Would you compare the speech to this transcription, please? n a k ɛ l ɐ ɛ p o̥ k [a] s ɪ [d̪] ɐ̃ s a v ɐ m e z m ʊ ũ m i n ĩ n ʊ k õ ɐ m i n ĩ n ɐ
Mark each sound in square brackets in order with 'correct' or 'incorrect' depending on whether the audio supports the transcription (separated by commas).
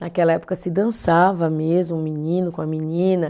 incorrect, correct